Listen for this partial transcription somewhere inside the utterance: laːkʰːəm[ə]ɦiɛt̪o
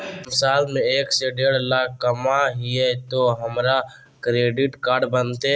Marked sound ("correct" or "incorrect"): incorrect